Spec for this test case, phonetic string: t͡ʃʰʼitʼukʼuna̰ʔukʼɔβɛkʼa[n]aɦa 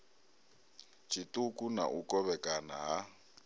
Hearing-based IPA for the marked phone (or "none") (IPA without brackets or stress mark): n